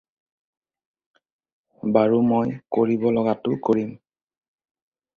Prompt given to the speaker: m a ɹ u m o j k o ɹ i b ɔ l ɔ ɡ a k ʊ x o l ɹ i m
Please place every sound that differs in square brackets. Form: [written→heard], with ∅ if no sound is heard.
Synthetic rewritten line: [m→b] a ɹ u m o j k o ɹ i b ɔ l ɔ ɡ a [k→t] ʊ [x→k] o [l→∅] ɹ i m

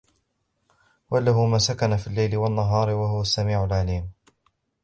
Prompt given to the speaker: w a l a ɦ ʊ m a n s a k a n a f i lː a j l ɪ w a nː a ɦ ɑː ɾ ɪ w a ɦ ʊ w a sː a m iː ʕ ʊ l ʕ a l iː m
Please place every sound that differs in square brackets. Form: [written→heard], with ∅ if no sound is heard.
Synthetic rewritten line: w a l a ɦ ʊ m a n s a k a n a f i lː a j l ɪ w a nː a ɦ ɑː ɾ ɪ w a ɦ ʊ w a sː a m iː ʕ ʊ l ʕ a l iː m

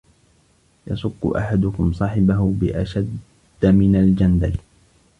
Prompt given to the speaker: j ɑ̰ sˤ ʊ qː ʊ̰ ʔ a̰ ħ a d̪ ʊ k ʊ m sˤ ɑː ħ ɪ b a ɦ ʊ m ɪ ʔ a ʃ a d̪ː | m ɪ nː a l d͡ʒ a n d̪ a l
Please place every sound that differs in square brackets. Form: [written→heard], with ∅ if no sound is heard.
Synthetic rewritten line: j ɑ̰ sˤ ʊ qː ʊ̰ ʔ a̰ ħ a d̪ ʊ k ʊ m sˤ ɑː ħ ɪ b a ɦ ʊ [m→b] ɪ ʔ a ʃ a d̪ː | m ɪ [nː→n] a l d͡ʒ a n d̪ a l

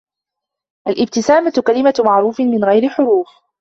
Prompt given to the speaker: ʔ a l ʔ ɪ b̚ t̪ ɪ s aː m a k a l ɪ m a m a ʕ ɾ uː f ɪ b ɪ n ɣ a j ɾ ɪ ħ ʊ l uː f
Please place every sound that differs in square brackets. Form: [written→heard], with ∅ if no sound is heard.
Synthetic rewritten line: ʔ a l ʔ ɪ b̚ t̪ ɪ s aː m a k a l ɪ m a m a ʕ ɾ uː f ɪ [b→m] ɪ n ɣ a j ɾ ɪ ħ ʊ [l→ɾ] uː f

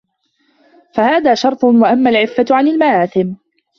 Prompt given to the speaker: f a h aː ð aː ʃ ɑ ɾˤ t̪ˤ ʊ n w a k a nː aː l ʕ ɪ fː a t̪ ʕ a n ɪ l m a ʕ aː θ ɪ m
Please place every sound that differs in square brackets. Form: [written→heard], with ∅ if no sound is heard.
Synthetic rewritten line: f a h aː ð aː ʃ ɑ ɾˤ t̪ˤ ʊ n w a [k→ʔ] a [nː→mː] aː l ʕ ɪ fː a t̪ ʕ a n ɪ l m a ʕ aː θ ɪ m

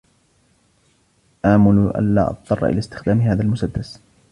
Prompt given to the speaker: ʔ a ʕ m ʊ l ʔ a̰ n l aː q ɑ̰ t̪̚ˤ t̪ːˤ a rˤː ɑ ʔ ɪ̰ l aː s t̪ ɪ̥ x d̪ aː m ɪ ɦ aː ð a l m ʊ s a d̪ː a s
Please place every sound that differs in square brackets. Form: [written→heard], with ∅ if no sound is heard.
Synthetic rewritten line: ʔ a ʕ m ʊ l ʔ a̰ n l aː [q→ʔ] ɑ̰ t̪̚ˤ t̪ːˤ [a→ɑ] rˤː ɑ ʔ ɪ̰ l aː s t̪ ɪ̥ x d̪ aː m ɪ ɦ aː ð a l m ʊ s a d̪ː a s

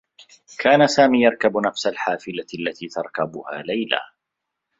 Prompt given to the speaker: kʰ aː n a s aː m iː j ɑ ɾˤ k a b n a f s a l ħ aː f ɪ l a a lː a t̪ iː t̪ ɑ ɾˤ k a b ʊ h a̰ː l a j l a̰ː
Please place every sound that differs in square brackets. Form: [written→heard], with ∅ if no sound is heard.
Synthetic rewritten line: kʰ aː n a s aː m iː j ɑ ɾˤ k a b n a f s a l ħ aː f ɪ l a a lː a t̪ iː t̪ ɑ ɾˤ k a b ʊ h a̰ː l a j l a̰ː

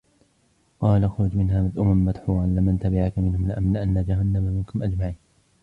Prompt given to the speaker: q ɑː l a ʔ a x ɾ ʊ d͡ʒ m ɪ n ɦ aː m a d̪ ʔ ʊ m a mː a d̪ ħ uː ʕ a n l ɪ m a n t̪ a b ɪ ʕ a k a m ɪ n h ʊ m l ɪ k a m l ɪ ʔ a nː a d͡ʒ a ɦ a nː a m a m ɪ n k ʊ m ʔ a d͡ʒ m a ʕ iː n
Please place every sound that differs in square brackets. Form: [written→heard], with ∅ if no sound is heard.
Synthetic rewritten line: q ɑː l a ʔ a x ɾ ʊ d͡ʒ m ɪ n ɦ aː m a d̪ ʔ ʊ m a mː a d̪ ħ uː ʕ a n l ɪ m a n t̪ a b ɪ ʕ a k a m ɪ n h ʊ m l ɪ [k→ʔ] a m l ɪ ʔ a nː a d͡ʒ a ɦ a nː a m a m ɪ n k ʊ m ʔ a d͡ʒ m a ʕ iː n

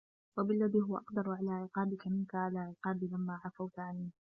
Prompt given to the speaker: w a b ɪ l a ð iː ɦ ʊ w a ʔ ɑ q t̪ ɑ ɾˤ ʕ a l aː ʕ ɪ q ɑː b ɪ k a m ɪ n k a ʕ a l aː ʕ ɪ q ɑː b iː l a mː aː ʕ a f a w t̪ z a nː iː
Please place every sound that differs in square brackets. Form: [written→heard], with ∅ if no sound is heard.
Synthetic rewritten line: w a b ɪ [l→lː] a ð iː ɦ ʊ w a ʔ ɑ q [t̪→d̪] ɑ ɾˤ ʕ a l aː ʕ ɪ q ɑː b ɪ k a m ɪ n k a ʕ a l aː ʕ ɪ q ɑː b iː l a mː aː ʕ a f a w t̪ [z→ʕ] a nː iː

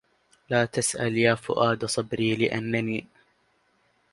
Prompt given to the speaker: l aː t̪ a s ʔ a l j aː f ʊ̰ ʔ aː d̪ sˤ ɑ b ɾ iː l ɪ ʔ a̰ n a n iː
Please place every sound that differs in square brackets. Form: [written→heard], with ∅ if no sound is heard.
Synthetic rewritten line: l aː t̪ a s ʔ a l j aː f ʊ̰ ʔ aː d̪ sˤ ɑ b ɾ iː l ɪ ʔ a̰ [n→nː] a n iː

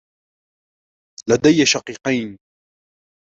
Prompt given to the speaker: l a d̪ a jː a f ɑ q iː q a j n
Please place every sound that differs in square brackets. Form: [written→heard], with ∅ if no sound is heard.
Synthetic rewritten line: l a d̪ a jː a [f→ʃ] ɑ q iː q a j n

